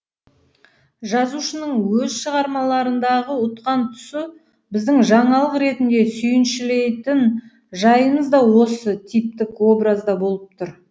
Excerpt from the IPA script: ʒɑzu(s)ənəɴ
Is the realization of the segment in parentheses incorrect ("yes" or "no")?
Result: yes